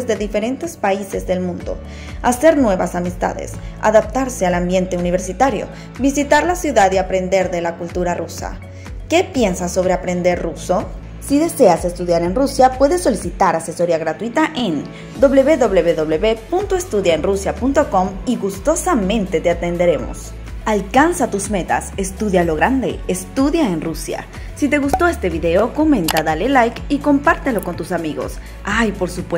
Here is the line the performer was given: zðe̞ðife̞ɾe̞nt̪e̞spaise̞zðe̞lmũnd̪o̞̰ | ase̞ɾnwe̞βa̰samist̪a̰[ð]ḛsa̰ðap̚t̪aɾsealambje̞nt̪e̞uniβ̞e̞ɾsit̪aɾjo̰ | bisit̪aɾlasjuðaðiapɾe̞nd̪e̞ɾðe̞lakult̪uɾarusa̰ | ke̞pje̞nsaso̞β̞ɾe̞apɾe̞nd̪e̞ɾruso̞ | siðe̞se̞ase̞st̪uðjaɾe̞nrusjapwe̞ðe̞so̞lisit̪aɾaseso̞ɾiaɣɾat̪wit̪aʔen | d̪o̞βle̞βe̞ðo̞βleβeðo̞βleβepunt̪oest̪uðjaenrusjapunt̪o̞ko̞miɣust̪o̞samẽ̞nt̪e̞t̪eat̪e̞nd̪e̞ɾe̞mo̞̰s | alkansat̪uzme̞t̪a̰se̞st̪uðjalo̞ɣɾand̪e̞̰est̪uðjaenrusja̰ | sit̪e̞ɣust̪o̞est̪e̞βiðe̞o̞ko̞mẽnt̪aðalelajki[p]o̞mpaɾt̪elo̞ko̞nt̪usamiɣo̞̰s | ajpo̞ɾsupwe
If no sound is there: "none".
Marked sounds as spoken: ð, k

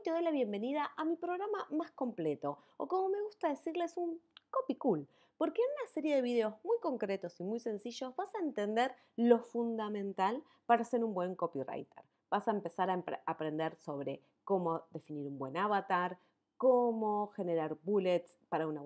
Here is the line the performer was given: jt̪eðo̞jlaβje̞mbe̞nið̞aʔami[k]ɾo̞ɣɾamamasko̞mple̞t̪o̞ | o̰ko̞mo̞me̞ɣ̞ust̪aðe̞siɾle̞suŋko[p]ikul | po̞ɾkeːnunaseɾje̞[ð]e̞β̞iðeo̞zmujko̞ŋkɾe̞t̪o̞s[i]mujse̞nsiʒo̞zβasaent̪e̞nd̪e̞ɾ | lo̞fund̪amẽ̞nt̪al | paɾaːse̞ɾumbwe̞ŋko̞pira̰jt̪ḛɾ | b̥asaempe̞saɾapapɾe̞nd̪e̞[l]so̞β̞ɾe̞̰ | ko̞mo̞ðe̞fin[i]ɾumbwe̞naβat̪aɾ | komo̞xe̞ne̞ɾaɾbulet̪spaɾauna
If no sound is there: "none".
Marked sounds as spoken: p, p, ð, i, ɾ, i

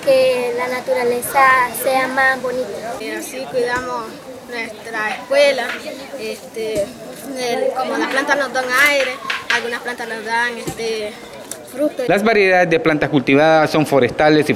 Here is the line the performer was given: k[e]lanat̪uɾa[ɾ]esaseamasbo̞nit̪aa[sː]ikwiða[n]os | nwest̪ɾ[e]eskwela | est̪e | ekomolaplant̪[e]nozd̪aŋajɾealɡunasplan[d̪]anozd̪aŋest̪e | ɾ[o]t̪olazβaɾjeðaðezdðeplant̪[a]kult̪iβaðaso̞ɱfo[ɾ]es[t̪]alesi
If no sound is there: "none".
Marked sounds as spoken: e, l, s, m, a, a, t̪, u, a, ɾ, t̪

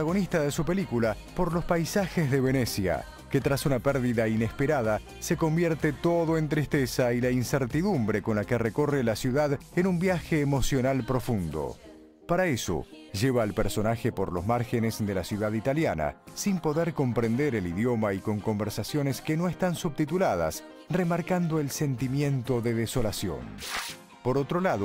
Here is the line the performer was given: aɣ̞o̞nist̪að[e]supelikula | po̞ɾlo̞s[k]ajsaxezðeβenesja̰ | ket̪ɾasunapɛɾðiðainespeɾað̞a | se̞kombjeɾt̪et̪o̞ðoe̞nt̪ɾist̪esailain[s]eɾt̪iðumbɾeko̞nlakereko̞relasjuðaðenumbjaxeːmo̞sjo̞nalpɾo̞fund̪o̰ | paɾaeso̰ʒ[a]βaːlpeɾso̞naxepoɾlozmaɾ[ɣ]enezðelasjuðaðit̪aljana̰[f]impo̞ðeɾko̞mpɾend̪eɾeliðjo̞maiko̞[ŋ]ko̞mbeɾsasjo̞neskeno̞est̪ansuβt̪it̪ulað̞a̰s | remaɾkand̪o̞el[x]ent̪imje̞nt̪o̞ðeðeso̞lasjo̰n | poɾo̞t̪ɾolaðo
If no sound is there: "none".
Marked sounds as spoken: e, p, s, e, x, s, ŋ, s

